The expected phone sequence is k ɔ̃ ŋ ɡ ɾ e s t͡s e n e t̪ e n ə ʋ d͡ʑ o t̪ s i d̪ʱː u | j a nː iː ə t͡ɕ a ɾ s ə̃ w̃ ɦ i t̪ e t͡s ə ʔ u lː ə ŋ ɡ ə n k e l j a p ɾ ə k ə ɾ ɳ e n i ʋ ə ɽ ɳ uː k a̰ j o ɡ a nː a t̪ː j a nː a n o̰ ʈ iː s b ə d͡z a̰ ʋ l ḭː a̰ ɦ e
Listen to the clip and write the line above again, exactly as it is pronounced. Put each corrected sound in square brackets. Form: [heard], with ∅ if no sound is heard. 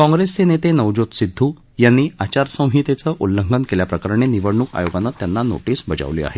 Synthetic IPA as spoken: k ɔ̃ ŋ ɡ ɾ e s t͡s e n e t̪ e n ə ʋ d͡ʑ o t̪ s i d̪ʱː u | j a nː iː [a] t͡ɕ a ɾ s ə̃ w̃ ɦ i t̪ e t͡s ə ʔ u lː ə ŋ ɡ ə n k e l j a p ɾ ə k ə ɾ ɳ e n i ʋ ə ɽ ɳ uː k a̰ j o ɡ a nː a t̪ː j a nː a n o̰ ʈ iː s b ə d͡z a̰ ʋ l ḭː a̰ ɦ e